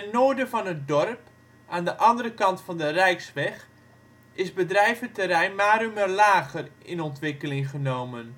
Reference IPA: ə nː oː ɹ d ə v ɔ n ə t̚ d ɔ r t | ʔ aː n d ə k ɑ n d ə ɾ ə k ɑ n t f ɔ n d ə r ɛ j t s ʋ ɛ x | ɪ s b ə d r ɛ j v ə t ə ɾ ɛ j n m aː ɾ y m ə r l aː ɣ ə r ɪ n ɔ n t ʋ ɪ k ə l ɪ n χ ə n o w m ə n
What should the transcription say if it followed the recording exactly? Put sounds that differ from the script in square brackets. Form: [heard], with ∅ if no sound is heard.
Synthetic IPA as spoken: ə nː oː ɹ d ə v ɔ n ə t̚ d ɔ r [p] | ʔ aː n d ə [ʔ] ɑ n d ə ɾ ə k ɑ n t f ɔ n d ə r ɛ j [k] s ʋ ɛ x | ɪ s b ə d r ɛ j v ə t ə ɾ ɛ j n m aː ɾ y m ə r l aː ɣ ə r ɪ n ɔ n t ʋ ɪ k ə l ɪ [ŋ] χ ə n o w m ə n